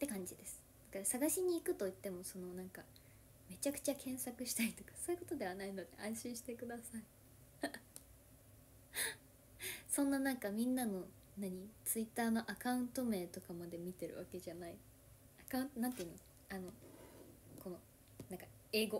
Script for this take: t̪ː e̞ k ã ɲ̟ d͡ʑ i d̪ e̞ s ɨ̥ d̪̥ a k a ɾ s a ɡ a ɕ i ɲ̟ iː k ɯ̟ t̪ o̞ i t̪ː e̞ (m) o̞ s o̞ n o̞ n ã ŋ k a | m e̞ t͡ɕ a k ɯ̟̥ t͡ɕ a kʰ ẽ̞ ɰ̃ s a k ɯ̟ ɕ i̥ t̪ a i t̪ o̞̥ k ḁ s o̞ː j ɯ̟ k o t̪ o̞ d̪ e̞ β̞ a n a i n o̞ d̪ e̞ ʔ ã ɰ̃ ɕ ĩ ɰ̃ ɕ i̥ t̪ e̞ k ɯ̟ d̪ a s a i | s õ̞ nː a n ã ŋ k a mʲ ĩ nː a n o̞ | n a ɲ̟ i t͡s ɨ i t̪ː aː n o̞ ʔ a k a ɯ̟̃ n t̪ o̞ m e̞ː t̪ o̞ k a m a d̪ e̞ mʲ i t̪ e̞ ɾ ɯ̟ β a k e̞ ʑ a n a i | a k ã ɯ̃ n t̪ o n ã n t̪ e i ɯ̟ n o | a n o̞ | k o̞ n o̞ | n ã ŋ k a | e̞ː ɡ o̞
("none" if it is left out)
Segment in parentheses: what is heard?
m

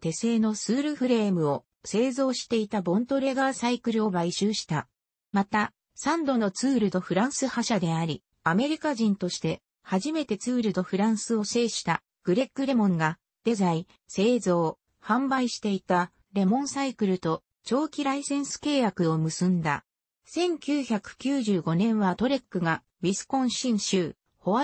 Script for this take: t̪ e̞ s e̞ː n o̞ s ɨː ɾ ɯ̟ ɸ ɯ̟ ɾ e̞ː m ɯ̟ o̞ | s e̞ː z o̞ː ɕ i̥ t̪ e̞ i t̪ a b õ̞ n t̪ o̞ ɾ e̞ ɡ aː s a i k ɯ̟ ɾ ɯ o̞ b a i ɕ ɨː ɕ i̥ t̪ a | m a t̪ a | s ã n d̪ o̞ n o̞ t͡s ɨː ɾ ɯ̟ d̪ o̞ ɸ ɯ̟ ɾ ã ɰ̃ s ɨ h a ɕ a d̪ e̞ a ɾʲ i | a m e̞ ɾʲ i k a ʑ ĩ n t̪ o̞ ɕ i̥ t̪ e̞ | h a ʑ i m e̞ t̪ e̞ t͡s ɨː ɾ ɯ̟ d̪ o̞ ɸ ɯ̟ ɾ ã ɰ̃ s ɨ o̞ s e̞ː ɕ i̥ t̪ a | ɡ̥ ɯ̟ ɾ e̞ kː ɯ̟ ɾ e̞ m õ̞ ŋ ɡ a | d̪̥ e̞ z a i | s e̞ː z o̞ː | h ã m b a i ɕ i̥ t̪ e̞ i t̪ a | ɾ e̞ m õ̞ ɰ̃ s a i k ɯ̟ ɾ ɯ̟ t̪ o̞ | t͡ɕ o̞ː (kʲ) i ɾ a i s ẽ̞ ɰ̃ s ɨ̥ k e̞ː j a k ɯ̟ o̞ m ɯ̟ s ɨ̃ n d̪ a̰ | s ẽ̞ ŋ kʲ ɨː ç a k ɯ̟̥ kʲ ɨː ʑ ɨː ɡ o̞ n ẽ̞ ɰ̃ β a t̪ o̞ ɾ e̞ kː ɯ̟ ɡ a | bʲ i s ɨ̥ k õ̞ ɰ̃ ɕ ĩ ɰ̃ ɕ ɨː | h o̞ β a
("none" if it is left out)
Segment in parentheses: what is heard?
kʲ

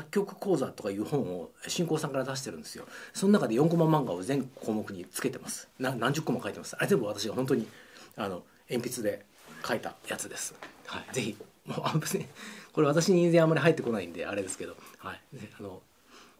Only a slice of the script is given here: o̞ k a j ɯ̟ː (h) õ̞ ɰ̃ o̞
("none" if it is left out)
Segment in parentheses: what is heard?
h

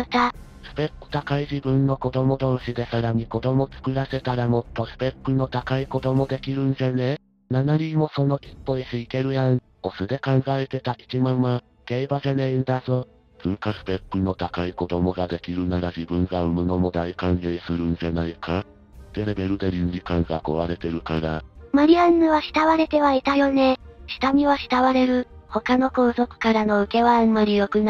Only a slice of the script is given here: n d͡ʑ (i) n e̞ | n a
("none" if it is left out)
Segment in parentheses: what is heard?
a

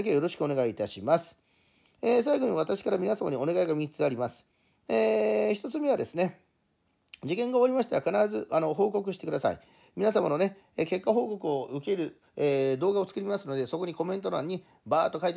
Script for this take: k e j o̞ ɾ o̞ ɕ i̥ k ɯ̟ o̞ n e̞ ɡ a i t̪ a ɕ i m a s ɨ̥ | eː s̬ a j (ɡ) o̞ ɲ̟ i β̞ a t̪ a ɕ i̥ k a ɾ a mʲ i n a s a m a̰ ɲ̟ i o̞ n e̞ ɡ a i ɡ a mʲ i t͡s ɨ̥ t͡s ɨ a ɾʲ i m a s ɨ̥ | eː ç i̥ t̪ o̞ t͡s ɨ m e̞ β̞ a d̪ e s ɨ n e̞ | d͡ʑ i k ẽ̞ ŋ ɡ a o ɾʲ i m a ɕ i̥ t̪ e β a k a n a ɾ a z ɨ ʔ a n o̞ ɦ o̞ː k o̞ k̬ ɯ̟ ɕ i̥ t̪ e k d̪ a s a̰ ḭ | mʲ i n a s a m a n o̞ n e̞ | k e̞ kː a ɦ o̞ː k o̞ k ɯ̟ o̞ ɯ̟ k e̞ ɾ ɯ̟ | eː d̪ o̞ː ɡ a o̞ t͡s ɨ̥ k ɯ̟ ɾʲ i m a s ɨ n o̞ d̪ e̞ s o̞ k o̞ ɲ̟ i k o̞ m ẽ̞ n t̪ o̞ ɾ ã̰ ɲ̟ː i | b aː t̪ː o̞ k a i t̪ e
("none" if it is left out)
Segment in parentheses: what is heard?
ɡ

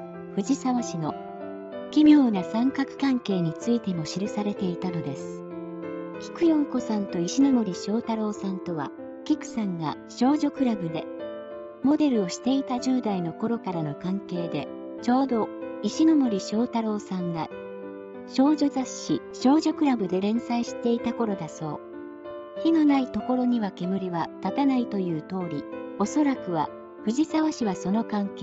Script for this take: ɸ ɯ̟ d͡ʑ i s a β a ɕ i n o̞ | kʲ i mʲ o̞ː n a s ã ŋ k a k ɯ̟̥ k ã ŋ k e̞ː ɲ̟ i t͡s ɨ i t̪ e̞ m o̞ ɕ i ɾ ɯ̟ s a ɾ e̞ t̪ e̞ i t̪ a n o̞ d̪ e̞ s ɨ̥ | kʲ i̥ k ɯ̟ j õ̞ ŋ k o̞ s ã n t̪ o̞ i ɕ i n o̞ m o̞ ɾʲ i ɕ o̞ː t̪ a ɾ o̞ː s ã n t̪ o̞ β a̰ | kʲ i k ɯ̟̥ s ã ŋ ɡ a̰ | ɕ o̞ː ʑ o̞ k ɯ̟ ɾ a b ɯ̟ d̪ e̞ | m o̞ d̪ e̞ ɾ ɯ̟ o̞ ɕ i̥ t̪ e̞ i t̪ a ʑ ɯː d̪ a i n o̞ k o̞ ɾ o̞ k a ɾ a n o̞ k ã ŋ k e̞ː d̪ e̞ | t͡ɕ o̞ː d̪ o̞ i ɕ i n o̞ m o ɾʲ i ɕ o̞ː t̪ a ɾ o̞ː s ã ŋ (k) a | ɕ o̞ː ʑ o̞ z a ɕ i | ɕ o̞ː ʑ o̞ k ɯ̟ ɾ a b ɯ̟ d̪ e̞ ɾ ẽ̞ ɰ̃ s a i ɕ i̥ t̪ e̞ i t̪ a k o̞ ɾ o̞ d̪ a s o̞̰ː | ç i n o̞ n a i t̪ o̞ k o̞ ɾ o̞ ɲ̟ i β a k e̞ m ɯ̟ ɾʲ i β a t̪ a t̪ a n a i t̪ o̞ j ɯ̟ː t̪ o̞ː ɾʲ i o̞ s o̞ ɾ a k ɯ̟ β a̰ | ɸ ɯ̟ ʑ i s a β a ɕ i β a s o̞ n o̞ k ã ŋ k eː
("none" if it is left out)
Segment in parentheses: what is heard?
ɡ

